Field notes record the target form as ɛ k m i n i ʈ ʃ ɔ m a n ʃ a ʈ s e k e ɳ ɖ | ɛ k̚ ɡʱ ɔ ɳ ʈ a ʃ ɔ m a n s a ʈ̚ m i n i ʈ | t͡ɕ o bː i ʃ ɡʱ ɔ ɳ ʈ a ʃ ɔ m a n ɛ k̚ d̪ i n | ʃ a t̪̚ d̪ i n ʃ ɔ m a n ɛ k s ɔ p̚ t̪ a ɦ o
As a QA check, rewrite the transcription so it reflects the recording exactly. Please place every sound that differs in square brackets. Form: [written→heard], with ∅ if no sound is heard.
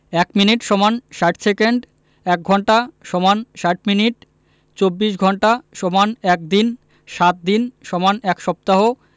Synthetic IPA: ɛ k m i n i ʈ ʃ ɔ m a n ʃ a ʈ s e k e ɳ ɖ | ɛ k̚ ɡʱ ɔ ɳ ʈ a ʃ ɔ m a n [s→ʃ] a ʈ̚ m i n i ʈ | t͡ɕ o bː i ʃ ɡʱ ɔ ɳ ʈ a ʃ ɔ m a n ɛ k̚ d̪ i n | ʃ a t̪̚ d̪ i n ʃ ɔ m a n ɛ k [s→ʃ] ɔ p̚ t̪ a ɦ o

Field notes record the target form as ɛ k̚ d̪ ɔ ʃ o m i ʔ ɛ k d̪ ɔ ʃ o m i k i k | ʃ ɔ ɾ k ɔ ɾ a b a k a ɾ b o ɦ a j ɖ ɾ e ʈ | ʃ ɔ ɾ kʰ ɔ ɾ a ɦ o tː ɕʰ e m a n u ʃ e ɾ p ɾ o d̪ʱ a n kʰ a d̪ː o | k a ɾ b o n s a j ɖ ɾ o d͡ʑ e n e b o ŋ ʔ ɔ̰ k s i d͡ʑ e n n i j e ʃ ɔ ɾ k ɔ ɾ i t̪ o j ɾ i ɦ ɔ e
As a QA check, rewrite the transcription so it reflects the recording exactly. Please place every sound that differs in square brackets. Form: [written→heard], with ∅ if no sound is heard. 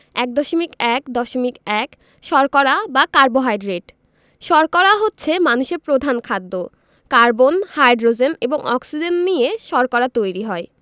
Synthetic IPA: ɛ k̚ d̪ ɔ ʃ o m i [ʔ→k] ɛ k d̪ ɔ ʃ o m i k [i→ɛ] k | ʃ ɔ ɾ k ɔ ɾ a b a k a ɾ b o ɦ a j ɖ ɾ e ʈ | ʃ ɔ ɾ [kʰ→k] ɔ ɾ a ɦ o tː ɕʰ e m a n u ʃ e ɾ p ɾ o d̪ʱ a n kʰ a d̪ː o | k a ɾ b o n [s→h] a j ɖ ɾ o d͡ʑ e n e b o ŋ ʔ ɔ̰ k s i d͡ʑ e n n i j e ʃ ɔ ɾ k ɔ ɾ [i→a] t̪ o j ɾ i ɦ ɔ e

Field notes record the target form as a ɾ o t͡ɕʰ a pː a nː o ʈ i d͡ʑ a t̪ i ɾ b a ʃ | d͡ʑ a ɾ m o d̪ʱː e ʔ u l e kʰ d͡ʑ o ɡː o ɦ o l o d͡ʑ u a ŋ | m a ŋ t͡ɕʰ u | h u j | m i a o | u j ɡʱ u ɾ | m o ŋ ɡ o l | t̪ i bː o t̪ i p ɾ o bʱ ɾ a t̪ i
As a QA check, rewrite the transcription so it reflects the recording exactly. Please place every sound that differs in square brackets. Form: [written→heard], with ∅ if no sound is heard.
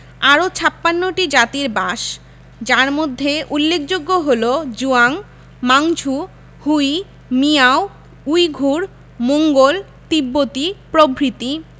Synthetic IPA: a ɾ o t͡ɕʰ a pː a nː o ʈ i d͡ʑ a t̪ i ɾ b a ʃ | d͡ʑ a ɾ m o d̪ʱː e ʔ u [l→lː] e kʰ d͡ʑ o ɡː o ɦ o l o d͡ʑ u a ŋ | m a ŋ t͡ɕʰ u | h u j | m i a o | u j ɡʱ u ɾ | m o ŋ ɡ o l | t̪ i bː o t̪ i p ɾ o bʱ ɾ [a→i] t̪ i

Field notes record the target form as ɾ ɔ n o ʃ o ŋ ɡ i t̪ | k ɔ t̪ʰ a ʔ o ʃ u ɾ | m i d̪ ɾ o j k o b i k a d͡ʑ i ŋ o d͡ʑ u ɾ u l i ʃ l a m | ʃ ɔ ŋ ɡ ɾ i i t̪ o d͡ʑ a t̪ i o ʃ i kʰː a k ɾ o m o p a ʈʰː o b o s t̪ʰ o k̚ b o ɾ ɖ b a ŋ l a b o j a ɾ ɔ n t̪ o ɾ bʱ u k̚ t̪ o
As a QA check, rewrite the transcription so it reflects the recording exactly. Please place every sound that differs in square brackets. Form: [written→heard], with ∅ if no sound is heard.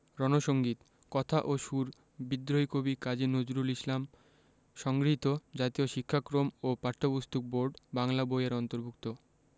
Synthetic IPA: ɾ ɔ n o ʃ o ŋ ɡ i t̪ | k ɔ t̪ʰ a ʔ o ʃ u ɾ | [m→b] i d̪ ɾ o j k o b i k a d͡ʑ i [ŋ→n] o d͡ʑ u ɾ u l i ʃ l a m | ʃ ɔ ŋ ɡ ɾ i i t̪ o d͡ʑ a t̪ i o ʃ i kʰː a k ɾ o m o p a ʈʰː o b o s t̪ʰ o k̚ b o ɾ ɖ b a ŋ l a b o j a ɾ ɔ n t̪ o ɾ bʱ u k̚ t̪ o

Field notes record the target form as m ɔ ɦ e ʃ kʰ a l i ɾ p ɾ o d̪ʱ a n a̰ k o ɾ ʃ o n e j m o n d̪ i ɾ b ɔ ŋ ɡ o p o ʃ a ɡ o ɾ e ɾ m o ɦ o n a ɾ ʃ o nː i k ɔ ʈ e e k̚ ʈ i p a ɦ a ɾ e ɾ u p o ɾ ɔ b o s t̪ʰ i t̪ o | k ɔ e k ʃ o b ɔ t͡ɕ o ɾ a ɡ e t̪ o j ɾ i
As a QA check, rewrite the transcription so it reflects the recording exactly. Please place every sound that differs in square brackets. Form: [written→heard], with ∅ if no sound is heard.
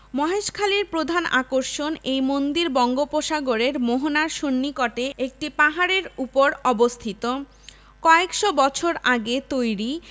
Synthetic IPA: m ɔ ɦ e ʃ kʰ a l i ɾ p ɾ o d̪ʱ a n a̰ k o ɾ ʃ o n e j m o n d̪ i ɾ b ɔ ŋ ɡ o p o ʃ a ɡ o ɾ e ɾ m o ɦ o n a ɾ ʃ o nː i k ɔ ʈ e e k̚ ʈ i p a ɦ a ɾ e ɾ u p o ɾ ɔ b o s t̪ʰ i t̪ o | k ɔ e k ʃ o b ɔ [t͡ɕ→t͡ɕʰ] o ɾ a ɡ e t̪ o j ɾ i

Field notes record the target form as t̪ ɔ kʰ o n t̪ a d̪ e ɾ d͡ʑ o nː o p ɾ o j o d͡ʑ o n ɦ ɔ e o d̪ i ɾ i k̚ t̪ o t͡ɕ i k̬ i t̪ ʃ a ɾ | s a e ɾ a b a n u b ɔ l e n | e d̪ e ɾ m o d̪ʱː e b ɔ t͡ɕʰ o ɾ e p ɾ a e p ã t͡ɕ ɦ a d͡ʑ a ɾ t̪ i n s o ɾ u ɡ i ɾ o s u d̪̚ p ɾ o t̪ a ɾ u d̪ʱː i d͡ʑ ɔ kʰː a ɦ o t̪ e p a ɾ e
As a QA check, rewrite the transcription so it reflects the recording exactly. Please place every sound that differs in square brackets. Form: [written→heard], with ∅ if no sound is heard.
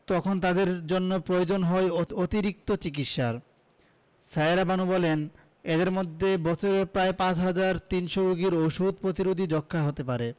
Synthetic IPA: t̪ ɔ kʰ o n t̪ a d̪ e ɾ d͡ʑ o nː o p ɾ o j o d͡ʑ o n ɦ ɔ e o [d̪→t̪] i ɾ i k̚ t̪ o t͡ɕ i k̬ i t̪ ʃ a ɾ | s a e ɾ a b a n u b ɔ l e n | e d̪ e ɾ m o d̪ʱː e b ɔ t͡ɕʰ o ɾ e p ɾ a e p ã t͡ɕ ɦ a d͡ʑ a ɾ t̪ i n [s→ʃ] o ɾ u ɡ i ɾ o [s→ʃ] u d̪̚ p ɾ o t̪ [a→i] ɾ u [d̪ʱː→d̪ʱ] i d͡ʑ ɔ kʰː a ɦ o t̪ e p a ɾ e

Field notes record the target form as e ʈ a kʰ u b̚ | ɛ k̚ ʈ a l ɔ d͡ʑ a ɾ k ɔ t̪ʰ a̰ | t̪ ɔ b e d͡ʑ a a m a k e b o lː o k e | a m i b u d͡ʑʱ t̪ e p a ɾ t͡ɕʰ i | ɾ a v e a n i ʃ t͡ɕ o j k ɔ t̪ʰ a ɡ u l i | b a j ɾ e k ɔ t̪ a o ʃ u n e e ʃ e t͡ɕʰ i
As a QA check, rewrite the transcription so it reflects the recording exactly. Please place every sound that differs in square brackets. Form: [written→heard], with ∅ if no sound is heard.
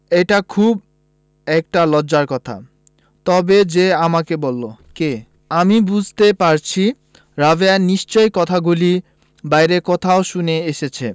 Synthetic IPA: e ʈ a kʰ u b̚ | ɛ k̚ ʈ a l ɔ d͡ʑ a ɾ k ɔ t̪ʰ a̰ | t̪ ɔ b e d͡ʑ [a→e] a m a k e b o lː o k e | a m i b u d͡ʑʱ t̪ e p a ɾ t͡ɕʰ i | ɾ a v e a n i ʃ t͡ɕ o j k ɔ t̪ʰ a ɡ u l i | b a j ɾ e k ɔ [t̪→t̪ʰ] a o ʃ u n e e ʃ e t͡ɕʰ [i→e]

